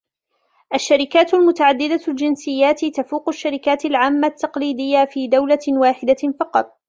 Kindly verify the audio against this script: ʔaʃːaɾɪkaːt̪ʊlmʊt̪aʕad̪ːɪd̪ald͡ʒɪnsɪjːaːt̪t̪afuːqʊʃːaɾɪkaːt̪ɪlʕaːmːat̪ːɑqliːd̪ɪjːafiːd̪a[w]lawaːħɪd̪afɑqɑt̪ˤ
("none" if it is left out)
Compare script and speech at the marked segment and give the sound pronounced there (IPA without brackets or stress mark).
w